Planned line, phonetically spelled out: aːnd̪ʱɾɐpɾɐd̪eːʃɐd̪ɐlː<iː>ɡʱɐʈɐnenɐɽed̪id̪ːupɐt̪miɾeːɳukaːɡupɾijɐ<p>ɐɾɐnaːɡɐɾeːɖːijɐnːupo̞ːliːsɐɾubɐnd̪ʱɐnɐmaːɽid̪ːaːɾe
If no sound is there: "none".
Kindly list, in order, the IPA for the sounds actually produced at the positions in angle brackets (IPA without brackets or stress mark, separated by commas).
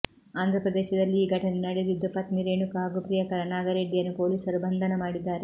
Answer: iː, k